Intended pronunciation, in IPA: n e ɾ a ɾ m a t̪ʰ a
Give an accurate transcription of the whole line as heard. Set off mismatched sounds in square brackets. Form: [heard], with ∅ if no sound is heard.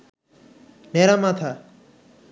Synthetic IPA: n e ɾ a [∅] m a t̪ʰ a

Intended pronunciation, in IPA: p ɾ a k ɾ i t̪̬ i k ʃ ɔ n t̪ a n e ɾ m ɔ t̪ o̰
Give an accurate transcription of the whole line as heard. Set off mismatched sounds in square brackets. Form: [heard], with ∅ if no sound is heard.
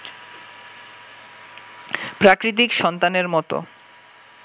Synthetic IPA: p ɾ a k ɾ i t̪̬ i k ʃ ɔ n t̪ a n e ɾ m ɔ t̪ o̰

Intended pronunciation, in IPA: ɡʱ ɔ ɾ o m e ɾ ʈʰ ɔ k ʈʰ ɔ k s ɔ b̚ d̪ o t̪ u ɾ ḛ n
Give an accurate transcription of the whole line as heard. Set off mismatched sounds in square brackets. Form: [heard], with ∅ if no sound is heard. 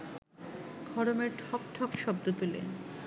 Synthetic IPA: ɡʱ ɔ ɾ o m e ɾ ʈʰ ɔ k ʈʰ ɔ k [ʃ] ɔ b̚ d̪ o t̪ u [l] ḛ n

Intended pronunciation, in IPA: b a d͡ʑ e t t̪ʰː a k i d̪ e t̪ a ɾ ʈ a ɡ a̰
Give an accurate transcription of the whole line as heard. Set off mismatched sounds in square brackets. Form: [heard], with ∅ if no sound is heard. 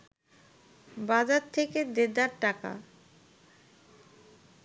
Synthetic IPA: b a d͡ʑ [a] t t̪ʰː [e] k [e] d̪ e [d̪] a ɾ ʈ a [k] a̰

